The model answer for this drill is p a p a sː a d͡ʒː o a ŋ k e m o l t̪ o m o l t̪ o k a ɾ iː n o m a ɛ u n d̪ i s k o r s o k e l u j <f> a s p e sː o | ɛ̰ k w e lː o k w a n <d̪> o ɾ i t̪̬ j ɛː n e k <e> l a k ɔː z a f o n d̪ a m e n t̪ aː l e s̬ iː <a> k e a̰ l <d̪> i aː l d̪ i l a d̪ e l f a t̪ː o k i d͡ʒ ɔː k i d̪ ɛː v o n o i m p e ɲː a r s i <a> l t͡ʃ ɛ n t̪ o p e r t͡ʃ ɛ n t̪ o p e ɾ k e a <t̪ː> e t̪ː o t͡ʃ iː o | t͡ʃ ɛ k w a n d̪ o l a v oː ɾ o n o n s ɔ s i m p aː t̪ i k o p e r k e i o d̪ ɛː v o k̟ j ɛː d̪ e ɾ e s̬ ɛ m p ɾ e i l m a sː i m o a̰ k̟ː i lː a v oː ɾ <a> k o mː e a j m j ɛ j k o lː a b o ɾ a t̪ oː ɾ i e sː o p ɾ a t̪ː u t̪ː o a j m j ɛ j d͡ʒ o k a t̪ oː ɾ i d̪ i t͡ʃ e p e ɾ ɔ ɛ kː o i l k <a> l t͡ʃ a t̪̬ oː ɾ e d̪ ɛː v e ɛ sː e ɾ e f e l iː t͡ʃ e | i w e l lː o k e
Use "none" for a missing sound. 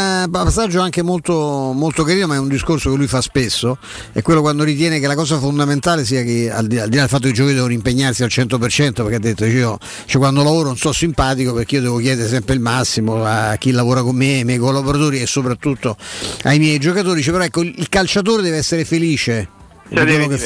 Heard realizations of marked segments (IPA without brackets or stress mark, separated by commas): f, d̪, e, a, d̪, a, d̪ː, a, a